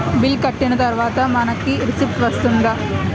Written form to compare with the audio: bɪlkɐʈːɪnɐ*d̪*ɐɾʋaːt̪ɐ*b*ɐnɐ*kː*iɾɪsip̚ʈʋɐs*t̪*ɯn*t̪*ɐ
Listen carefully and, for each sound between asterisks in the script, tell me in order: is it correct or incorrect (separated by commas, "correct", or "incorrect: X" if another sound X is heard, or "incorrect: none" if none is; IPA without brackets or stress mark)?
incorrect: t̪, incorrect: m, correct, correct, incorrect: d̪